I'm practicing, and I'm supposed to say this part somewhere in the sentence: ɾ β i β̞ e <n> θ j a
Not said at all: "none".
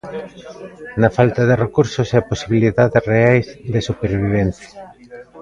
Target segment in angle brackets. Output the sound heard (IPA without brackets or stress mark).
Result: n